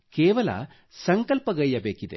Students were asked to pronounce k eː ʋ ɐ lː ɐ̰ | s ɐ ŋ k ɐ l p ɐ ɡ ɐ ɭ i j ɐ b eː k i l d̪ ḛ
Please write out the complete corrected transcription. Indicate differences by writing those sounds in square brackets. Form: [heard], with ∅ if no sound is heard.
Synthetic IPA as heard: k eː ʋ ɐ [l] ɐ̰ | s ɐ ŋ k ɐ l p ɐ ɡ ɐ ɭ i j ɐ b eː k i [∅] d̪ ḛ